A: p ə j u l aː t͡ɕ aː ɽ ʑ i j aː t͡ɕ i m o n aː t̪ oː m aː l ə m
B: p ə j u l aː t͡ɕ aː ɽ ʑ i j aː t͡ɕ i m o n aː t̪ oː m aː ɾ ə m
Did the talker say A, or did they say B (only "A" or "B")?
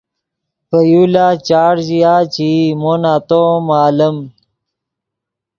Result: A